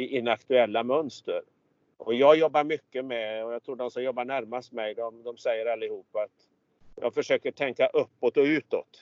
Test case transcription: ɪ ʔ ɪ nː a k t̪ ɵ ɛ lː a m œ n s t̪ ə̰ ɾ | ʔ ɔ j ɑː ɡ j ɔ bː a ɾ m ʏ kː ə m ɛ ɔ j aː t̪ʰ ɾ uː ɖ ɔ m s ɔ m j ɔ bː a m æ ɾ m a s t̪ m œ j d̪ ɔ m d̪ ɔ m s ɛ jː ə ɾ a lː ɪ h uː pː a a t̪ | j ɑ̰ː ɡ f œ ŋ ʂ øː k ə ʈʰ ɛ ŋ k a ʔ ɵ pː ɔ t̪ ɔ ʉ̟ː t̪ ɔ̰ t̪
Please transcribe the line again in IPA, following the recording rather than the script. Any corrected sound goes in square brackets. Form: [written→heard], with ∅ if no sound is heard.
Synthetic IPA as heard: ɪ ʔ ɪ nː a k t̪ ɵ ɛ lː a m œ n s t̪ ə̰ ɾ | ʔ ɔ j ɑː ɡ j ɔ bː a ɾ m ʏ kː ə m ɛ ɔ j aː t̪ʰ ɾ uː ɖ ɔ m s ɔ m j ɔ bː a [m→ɳ] æ ɾ m a s t̪ m [œ→ɛ] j d̪ ɔ m d̪ ɔ m s ɛ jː ə ɾ a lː ɪ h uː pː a a t̪ | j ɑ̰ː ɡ f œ [ŋ→∅] ʂ øː k ə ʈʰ ɛ ŋ k a ʔ ɵ pː ɔ t̪ ɔ ʉ̟ː t̪ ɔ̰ t̪